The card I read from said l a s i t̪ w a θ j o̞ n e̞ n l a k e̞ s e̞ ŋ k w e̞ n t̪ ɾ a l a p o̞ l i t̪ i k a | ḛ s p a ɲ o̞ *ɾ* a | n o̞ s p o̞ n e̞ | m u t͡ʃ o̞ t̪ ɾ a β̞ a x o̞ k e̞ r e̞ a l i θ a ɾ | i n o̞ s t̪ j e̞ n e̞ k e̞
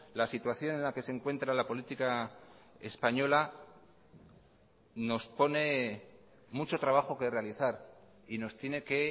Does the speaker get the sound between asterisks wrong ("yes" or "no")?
yes